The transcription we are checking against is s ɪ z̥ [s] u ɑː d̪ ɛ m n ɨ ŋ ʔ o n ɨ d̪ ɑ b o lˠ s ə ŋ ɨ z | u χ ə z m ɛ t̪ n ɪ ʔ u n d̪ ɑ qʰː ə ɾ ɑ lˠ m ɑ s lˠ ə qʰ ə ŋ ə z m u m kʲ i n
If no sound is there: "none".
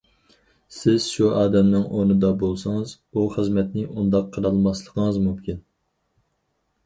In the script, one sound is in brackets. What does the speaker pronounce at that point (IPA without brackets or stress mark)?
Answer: ʃ